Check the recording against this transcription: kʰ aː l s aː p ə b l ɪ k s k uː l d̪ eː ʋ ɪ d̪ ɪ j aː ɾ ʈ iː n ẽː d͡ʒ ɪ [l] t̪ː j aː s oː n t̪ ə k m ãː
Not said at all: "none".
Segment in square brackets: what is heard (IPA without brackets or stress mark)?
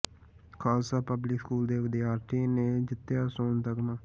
none